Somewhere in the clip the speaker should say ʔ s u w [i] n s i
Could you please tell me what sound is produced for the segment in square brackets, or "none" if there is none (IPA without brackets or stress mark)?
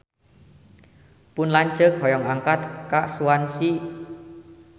a